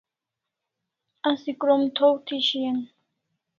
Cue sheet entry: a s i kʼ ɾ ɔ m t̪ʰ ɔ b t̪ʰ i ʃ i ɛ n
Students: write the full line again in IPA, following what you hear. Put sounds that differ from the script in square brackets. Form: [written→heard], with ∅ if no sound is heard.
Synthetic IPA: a s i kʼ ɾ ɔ m t̪ʰ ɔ [b→w] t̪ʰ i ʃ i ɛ n

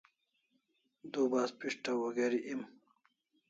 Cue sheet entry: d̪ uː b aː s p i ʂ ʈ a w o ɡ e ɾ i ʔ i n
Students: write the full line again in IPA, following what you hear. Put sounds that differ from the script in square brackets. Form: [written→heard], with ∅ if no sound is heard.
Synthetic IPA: d̪ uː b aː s p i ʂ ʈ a w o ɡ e ɾ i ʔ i [n→m]

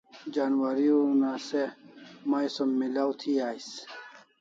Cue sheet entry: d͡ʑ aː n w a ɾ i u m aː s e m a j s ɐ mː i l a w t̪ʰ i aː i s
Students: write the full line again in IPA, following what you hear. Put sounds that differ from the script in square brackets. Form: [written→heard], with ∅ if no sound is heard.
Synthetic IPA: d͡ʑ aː n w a ɾ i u [m→n] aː s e m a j s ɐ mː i l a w t̪ʰ i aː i s

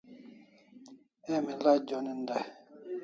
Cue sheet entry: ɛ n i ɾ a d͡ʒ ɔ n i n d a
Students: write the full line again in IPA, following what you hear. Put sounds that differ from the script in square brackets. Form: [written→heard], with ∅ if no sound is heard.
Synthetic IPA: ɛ [n→m] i [ɾ→l] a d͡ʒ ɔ n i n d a

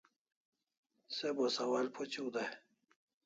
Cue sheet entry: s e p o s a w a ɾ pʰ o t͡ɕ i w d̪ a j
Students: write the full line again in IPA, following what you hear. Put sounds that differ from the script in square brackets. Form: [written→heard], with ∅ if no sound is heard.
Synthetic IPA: s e [p→b] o s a w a [ɾ→l] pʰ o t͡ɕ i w d̪ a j

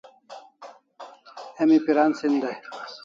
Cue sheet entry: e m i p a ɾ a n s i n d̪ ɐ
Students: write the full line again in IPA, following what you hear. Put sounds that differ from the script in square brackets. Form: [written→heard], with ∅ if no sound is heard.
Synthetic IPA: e m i p [a→i] ɾ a n s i n d̪ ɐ

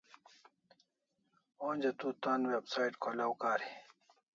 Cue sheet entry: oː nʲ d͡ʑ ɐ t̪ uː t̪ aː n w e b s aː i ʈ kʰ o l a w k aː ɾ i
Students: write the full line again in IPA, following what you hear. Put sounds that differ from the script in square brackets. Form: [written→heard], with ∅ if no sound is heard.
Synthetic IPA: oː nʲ d͡ʑ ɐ t̪ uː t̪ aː n w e b s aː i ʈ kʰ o l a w k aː ɾ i

